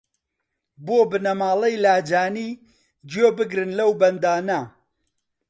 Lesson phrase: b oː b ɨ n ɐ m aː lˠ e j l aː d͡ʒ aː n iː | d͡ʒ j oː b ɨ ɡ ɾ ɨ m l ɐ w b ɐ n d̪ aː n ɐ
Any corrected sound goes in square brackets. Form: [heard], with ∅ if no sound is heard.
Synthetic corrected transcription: b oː b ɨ n ɐ m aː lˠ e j l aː d͡ʒ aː n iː | d͡ʒ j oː b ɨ ɡ ɾ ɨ [n] l ɐ w b ɐ n d̪ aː n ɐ